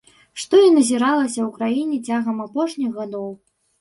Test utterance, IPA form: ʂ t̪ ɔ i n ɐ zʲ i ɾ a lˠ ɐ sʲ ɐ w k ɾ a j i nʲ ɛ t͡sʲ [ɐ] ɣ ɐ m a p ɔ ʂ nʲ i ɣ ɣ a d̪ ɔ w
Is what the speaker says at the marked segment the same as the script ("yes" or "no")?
no